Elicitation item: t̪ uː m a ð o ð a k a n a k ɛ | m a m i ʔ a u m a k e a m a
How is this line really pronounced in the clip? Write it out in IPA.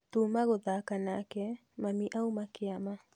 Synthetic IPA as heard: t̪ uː m a ɣ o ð a k a n a k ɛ | m a m i ʔ a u m a k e a m a